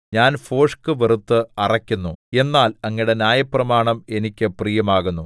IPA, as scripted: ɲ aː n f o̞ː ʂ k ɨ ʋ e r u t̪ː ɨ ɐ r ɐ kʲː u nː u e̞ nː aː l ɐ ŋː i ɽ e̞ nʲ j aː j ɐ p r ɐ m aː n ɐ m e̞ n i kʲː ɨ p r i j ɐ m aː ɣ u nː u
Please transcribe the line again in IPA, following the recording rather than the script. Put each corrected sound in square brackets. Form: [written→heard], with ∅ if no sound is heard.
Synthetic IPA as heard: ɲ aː n f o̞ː ʂ k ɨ ʋ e r u t̪ː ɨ ɐ r ɐ kʲː u nː u e̞ nː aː l ɐ ŋː i ɽ e̞ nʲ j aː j ɐ p r ɐ m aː [n→ɳ] ɐ m e̞ n i kʲː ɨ p r i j ɐ m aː ɣ u nː u